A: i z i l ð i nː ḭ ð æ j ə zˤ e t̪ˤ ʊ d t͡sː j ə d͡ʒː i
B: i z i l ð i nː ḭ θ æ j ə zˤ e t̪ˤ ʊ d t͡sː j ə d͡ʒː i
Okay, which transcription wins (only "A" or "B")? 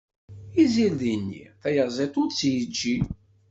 B